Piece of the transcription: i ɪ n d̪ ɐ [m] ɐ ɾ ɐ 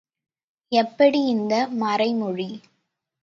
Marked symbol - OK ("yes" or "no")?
yes